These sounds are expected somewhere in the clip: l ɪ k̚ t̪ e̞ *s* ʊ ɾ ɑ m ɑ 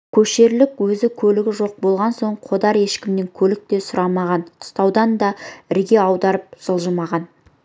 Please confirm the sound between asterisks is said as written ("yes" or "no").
yes